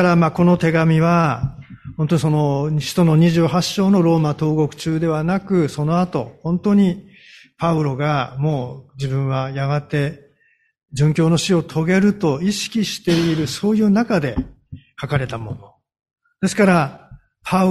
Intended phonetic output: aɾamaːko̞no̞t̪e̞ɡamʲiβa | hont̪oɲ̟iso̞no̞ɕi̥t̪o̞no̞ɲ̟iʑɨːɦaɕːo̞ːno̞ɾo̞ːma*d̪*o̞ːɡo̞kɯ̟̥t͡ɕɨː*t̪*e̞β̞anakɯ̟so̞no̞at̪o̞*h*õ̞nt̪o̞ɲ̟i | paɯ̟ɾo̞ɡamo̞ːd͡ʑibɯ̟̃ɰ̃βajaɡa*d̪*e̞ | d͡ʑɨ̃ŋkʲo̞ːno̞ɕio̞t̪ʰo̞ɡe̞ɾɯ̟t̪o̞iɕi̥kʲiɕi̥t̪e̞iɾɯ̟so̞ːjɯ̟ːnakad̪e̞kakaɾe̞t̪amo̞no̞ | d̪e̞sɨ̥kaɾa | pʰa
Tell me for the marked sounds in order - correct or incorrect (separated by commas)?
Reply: incorrect, incorrect, correct, incorrect